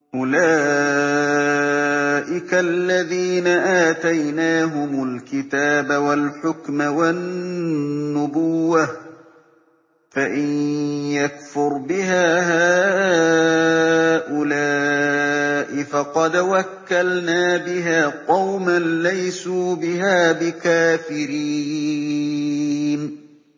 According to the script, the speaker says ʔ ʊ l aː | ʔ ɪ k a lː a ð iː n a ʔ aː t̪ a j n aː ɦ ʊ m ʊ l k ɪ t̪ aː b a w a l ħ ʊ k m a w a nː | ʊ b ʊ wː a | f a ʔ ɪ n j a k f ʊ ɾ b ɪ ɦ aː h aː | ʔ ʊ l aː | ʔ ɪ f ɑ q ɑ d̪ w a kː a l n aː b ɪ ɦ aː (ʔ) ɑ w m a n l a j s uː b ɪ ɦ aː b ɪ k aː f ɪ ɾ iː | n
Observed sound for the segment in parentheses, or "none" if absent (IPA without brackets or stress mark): q